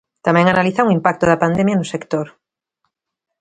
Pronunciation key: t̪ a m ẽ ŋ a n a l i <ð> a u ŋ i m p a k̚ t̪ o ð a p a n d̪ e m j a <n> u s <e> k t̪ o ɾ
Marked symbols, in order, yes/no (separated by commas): no, yes, yes